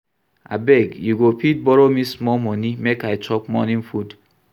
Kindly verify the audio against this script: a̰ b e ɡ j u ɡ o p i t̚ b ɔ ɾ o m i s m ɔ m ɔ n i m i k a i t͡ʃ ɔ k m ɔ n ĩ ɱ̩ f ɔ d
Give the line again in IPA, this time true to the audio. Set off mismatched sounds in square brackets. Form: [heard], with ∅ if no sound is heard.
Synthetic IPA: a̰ b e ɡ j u ɡ o p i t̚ b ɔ ɾ o m i s m ɔ m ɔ n i m [e] k a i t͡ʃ ɔ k m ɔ n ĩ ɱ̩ f [u] d